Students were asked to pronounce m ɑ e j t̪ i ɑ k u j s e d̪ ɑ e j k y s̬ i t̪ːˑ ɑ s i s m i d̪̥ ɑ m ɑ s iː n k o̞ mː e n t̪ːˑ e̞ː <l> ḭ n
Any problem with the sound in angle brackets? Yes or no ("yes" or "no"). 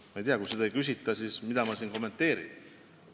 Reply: yes